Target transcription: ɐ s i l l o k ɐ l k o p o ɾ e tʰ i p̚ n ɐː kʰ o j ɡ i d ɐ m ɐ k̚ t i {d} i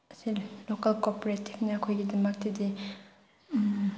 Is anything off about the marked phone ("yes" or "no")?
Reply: no